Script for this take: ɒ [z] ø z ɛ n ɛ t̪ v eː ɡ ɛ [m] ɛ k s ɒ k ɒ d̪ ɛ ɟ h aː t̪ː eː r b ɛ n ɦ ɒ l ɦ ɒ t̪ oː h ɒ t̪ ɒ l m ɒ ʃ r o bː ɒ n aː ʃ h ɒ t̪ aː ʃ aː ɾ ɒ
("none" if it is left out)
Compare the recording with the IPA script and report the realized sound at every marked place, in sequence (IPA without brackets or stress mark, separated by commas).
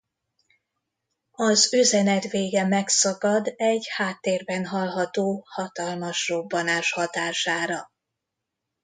z, m